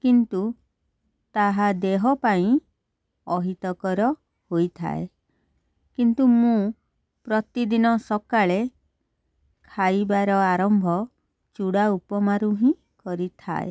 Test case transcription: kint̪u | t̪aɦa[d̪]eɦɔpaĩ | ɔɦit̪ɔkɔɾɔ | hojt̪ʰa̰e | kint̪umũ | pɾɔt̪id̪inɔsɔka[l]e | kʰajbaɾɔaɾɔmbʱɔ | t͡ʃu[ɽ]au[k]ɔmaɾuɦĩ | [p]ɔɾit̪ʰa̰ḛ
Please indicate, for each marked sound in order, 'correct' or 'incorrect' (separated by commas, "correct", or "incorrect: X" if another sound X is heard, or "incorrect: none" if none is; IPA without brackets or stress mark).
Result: correct, incorrect: ɭ, correct, incorrect: p, incorrect: k